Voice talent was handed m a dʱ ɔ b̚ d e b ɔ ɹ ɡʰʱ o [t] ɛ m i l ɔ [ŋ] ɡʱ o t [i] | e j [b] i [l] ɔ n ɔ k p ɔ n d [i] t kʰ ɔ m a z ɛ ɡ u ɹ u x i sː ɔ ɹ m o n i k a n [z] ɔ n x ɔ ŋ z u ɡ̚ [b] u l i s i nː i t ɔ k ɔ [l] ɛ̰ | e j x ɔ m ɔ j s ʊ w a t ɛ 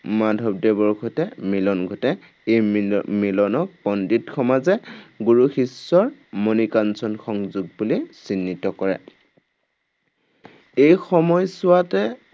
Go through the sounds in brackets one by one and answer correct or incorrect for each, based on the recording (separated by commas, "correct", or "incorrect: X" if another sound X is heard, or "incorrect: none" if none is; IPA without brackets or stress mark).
correct, incorrect: n, incorrect: ɛ, incorrect: m, correct, correct, incorrect: s, correct, incorrect: ɹ